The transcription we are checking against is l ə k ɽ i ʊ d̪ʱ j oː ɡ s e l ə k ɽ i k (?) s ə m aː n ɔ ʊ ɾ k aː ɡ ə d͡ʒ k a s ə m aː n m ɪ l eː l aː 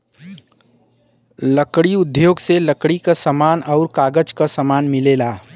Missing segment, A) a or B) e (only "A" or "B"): A